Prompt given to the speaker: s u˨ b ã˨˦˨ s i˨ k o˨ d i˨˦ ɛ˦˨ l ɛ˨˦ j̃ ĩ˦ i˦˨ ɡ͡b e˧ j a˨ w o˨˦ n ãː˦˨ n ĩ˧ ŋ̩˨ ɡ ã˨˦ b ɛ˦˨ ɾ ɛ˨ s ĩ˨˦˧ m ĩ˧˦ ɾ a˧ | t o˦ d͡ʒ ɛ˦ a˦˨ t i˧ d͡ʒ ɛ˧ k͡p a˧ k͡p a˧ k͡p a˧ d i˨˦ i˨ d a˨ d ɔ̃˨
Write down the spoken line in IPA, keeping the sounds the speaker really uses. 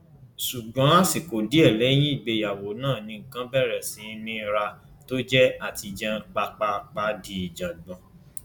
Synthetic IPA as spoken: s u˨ ɡ͡b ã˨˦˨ s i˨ k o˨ d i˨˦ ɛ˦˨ l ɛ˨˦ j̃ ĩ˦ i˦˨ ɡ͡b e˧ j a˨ w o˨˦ n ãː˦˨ n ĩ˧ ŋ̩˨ k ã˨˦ b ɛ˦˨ ɾ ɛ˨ s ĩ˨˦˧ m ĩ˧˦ ɾ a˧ | t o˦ d͡ʒ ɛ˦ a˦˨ t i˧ d͡ʒ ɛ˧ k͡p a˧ k͡p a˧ k͡p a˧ d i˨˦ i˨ d͡ʒ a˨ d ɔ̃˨